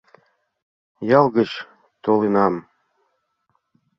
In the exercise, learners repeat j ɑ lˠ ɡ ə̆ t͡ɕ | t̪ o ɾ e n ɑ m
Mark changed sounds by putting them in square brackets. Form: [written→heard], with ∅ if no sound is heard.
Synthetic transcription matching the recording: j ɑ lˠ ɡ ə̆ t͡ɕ | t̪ o [ɾ→l] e n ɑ m